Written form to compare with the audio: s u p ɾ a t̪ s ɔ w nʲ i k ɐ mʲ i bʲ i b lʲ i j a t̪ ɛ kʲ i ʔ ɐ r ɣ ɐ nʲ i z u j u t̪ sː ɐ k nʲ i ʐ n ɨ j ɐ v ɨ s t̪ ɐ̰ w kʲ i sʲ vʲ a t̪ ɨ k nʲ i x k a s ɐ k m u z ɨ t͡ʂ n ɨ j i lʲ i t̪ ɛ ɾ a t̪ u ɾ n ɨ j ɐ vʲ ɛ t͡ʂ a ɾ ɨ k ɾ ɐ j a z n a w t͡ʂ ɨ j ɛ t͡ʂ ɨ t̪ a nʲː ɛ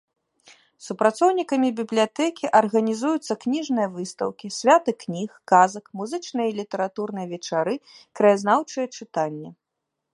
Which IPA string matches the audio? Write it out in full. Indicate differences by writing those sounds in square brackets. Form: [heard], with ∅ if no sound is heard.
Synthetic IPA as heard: s u p ɾ a t̪ s ɔ w nʲ i k ɐ mʲ i bʲ i b lʲ i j a t̪ ɛ kʲ i ʔ ɐ r ɣ ɐ nʲ i z u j u t̪ sː ɐ k nʲ i ʐ n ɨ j ɐ v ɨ s t̪ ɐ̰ w kʲ i sʲ vʲ a t̪ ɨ k nʲ i x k a [z] ɐ k m u z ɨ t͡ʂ n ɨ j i lʲ i t̪ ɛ ɾ a t̪ u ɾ n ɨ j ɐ vʲ ɛ t͡ʂ a ɾ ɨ k ɾ ɐ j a z n a w t͡ʂ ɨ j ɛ t͡ʂ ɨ t̪ a nʲː ɛ